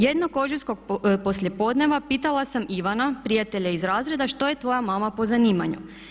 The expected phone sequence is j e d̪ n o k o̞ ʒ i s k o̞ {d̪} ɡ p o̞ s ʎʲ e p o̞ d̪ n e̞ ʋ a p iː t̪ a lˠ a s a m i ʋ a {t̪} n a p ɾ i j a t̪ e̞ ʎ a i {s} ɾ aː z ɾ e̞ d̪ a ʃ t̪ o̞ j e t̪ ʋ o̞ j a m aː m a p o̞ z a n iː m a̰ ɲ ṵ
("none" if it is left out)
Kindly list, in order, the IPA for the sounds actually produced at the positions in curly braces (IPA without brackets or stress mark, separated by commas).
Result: none, none, z